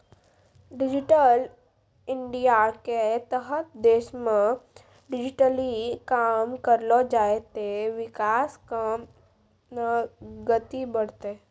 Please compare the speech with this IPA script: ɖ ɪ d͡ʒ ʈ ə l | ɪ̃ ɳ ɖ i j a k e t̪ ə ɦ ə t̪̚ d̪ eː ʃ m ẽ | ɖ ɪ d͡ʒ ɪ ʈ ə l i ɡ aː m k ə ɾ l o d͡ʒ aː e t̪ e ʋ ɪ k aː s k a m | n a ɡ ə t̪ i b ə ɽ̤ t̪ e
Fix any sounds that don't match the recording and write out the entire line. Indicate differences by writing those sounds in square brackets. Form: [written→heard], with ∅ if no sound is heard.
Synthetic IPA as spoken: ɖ ɪ d͡ʒ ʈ ə l | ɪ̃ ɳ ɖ i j a k e t̪ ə ɦ ə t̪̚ d̪ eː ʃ m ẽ | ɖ ɪ d͡ʒ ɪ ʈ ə l i [ɡ→k] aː m k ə ɾ l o d͡ʒ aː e t̪ e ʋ ɪ k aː s k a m | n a ɡ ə t̪ i b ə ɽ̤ t̪ e